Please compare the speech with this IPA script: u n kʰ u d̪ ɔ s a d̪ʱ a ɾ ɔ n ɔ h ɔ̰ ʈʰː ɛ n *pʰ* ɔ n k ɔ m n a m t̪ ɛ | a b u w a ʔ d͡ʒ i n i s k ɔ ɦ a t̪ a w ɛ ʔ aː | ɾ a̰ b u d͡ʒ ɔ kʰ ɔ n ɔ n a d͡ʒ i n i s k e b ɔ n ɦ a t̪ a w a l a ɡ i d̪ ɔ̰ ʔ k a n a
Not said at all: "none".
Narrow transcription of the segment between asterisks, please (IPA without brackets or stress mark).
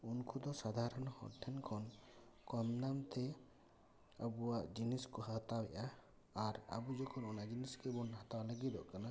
kʰ